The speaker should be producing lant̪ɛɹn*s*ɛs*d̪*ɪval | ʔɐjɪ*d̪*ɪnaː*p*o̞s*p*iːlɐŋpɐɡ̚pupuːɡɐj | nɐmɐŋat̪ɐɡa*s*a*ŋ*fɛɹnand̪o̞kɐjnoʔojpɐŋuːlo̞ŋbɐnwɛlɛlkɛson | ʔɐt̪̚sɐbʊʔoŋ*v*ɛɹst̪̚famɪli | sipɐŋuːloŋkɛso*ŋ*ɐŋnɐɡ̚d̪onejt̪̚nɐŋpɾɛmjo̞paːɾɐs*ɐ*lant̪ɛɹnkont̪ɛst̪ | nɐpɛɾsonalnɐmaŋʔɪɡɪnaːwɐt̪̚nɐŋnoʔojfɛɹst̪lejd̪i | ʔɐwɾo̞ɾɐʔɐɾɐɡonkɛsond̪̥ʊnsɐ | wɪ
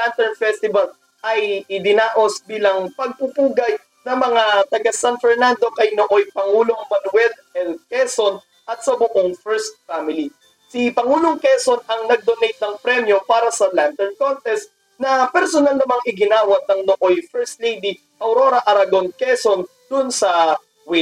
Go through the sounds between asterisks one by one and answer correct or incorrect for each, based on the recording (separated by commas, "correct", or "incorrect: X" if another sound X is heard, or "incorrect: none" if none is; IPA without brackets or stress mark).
incorrect: f, incorrect: t̪, correct, incorrect: ʔ, incorrect: b, correct, incorrect: n, incorrect: f, incorrect: n, correct